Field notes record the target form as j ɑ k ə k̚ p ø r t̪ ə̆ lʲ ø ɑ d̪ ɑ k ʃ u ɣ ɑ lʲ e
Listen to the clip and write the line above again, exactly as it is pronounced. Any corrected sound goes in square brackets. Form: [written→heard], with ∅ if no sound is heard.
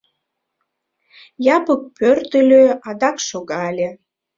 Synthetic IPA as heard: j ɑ [k→p] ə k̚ p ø r t̪ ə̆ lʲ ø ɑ d̪ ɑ k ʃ [u→o] ɣ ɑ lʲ e